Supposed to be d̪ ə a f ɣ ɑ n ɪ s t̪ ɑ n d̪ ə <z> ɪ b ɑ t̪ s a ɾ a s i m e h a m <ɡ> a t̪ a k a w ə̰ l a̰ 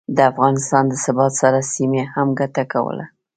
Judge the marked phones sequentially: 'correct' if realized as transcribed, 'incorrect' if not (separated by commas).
incorrect, correct